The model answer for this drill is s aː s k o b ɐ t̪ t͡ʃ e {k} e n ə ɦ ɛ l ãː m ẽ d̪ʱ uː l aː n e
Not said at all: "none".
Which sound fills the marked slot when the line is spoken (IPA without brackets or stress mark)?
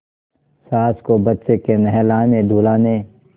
k